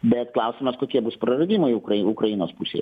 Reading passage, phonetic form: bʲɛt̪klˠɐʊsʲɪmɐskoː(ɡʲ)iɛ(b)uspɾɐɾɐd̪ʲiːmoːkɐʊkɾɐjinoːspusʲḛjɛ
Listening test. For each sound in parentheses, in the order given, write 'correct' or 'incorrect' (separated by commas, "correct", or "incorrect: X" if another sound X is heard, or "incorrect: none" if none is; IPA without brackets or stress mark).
incorrect: kʲ, correct